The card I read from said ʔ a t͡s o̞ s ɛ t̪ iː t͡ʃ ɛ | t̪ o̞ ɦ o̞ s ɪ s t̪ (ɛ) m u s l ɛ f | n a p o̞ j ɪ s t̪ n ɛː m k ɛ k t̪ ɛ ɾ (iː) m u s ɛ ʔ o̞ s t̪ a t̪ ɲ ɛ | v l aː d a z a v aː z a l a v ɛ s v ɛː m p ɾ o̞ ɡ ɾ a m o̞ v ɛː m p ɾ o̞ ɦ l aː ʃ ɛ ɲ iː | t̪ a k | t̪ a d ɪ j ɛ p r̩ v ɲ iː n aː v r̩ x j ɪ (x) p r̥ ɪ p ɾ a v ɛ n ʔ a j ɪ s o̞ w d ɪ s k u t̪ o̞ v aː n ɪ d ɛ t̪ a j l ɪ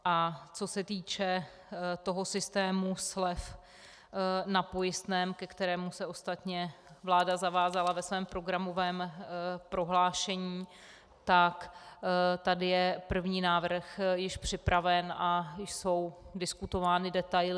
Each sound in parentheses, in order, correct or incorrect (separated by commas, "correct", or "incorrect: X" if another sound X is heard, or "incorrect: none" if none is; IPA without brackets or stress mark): incorrect: ɛː, incorrect: ɛː, incorrect: ʃ